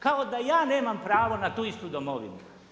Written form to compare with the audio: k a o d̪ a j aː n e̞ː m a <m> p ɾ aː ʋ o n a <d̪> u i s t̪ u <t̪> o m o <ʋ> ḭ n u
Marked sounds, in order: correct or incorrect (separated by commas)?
correct, incorrect, incorrect, correct